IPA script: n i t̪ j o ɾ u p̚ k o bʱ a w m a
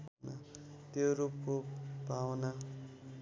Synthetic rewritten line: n a t̪ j o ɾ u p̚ k o bʱ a w n a